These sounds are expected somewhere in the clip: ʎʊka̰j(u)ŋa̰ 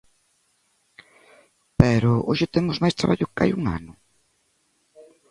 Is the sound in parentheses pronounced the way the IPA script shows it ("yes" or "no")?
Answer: yes